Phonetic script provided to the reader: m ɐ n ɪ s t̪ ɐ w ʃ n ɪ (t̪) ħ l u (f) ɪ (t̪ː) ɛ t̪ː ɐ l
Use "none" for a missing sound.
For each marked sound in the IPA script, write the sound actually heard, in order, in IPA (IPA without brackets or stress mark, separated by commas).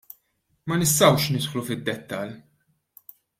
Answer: t̪, f, d̪ː